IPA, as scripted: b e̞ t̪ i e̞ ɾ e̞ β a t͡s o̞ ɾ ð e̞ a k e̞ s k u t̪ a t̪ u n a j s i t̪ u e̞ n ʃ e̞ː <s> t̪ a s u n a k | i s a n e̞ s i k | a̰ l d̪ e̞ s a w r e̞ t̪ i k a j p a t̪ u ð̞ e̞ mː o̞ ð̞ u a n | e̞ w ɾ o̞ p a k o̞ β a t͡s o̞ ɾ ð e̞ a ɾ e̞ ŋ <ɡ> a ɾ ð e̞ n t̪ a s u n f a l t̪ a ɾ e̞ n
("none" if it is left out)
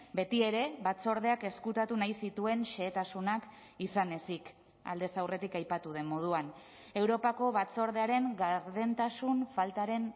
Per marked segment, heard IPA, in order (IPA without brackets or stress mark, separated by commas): none, ɡ